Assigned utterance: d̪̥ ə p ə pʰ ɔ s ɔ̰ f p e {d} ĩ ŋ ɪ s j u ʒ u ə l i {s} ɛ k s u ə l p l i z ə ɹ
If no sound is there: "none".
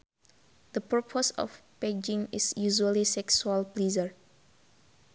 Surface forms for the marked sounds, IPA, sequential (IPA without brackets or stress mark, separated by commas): d͡ʒ, s